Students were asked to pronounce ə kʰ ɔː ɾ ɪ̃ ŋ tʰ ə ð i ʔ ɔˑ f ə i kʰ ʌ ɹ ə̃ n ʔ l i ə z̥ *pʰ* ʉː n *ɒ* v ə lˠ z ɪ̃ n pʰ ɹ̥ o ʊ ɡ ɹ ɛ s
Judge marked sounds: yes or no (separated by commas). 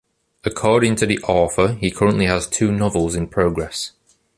no, yes